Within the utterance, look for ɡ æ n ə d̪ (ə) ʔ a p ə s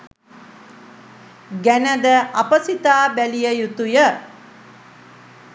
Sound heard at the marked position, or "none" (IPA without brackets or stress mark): ə